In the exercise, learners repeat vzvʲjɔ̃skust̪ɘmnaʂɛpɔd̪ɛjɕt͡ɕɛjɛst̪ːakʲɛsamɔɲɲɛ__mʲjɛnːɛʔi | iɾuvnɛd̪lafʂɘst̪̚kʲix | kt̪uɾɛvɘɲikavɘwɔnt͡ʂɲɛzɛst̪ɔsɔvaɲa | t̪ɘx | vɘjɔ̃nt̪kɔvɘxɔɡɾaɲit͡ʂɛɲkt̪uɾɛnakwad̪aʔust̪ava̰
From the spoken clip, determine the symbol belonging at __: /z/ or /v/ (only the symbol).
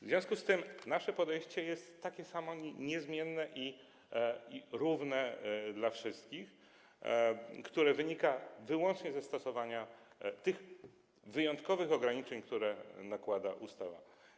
z